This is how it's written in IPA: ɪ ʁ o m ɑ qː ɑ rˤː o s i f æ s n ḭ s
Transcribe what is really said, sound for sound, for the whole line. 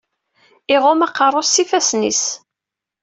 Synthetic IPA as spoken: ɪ ʁ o m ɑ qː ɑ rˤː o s i f æ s n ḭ s